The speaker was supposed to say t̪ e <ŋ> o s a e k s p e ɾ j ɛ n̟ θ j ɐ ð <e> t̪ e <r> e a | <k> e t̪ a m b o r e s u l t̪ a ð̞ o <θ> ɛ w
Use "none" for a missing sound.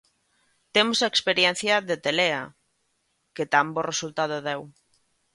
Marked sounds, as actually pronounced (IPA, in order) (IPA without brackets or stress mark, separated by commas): m, e, l, k, ð